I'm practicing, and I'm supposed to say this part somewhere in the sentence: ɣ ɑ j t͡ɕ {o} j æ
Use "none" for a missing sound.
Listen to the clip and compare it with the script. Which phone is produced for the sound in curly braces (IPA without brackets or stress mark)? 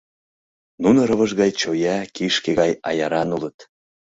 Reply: o